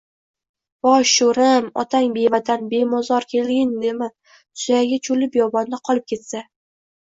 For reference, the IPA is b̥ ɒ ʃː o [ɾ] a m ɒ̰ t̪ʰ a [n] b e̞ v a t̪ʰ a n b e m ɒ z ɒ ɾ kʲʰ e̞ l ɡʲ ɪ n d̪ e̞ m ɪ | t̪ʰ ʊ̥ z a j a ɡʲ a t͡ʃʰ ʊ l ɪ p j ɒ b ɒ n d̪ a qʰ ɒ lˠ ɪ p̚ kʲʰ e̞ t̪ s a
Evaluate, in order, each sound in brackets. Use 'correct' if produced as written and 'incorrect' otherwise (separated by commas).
correct, incorrect